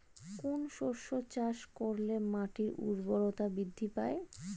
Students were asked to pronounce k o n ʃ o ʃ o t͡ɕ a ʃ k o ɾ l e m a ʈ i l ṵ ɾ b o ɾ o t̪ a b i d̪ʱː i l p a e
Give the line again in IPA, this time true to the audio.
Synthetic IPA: k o n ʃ o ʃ o t͡ɕ a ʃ k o ɾ l e m a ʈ i ɾ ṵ ɾ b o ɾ o t̪ a b i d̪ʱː i p a e